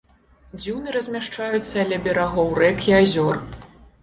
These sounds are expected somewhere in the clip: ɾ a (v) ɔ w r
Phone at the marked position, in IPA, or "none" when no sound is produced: ɣ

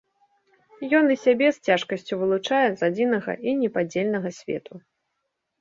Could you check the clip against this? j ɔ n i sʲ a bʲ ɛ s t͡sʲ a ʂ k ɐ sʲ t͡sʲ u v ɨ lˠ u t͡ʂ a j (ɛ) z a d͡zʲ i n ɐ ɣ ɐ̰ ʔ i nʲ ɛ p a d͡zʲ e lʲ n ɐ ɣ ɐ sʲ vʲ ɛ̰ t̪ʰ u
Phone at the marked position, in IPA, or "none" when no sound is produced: ɛ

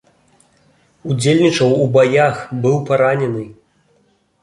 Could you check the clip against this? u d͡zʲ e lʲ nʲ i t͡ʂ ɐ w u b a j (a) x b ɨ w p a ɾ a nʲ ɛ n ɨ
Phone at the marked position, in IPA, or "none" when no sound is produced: a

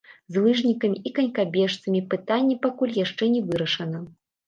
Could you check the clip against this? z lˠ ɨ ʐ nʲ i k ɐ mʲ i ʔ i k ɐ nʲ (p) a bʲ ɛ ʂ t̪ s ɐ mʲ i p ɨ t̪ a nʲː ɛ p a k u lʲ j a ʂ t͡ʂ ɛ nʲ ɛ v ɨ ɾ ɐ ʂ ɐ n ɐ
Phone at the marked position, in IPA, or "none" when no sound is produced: k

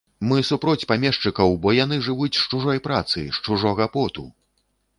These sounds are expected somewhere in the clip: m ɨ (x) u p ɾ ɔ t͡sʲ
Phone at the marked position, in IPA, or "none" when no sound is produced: s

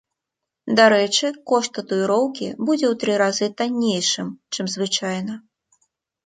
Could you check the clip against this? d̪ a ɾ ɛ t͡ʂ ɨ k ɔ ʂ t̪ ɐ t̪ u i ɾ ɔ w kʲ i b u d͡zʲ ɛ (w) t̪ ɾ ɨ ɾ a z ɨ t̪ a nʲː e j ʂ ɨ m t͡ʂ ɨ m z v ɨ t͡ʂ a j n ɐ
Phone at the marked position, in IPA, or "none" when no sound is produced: w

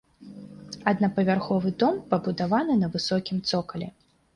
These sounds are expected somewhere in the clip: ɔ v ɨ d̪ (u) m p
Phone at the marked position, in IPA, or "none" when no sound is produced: ɔ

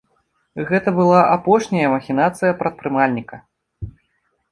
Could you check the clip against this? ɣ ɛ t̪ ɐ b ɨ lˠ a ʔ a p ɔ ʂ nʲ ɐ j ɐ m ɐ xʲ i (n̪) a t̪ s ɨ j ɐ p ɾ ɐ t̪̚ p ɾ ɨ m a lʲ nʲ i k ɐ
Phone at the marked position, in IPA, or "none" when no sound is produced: n̪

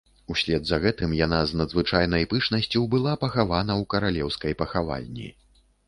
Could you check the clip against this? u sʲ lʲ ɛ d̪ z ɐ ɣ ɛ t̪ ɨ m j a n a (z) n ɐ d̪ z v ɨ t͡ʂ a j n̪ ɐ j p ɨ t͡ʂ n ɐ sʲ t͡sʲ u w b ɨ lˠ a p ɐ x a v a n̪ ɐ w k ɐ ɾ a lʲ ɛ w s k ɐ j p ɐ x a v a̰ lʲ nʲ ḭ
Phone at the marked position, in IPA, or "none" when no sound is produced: z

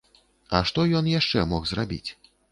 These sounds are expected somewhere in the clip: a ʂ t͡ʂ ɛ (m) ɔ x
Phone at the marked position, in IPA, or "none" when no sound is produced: m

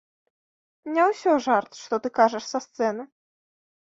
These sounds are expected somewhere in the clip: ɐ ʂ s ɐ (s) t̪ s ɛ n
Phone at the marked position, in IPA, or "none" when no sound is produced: s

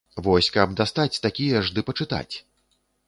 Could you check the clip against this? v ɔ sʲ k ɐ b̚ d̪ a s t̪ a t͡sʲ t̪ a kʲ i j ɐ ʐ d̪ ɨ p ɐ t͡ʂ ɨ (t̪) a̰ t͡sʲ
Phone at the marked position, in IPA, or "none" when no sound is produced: t̪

